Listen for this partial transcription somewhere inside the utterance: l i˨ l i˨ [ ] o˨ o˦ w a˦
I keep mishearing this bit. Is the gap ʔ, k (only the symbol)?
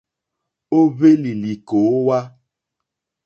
k